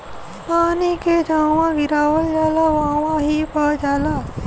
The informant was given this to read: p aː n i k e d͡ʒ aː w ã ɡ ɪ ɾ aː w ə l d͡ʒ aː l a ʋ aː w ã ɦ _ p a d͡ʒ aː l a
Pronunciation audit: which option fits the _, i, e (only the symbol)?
i